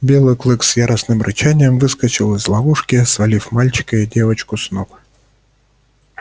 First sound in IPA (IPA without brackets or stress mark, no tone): bʲ